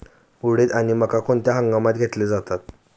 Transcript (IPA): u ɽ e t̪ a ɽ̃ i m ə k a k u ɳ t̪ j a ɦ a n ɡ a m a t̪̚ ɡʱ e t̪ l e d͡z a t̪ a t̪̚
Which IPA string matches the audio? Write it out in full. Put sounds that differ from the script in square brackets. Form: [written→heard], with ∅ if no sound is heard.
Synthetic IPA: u ɽ e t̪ a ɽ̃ i m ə k a k [u→o] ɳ t̪ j a ɦ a [n→ŋ] ɡ a m a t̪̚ ɡʱ e t̪ l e d͡z a t̪ a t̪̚